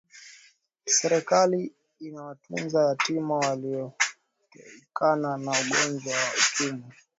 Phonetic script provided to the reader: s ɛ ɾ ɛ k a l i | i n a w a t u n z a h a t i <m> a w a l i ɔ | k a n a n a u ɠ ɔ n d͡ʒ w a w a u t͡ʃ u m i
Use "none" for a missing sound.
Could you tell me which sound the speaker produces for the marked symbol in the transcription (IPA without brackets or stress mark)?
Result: m